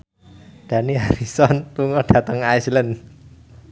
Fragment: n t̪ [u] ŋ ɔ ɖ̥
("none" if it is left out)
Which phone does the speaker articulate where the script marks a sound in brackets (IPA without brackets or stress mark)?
u